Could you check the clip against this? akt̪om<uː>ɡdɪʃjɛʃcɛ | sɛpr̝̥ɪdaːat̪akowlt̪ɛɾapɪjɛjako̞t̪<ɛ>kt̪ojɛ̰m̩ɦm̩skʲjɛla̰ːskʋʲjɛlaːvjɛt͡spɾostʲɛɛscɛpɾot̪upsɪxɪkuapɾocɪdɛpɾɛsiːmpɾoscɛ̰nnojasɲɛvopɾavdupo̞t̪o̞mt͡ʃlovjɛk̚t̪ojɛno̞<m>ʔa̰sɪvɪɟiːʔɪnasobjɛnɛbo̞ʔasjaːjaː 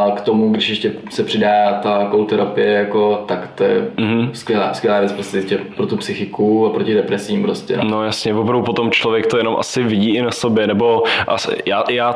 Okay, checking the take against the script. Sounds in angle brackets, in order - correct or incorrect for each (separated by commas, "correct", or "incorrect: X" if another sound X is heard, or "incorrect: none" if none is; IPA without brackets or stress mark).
incorrect: u, incorrect: a, correct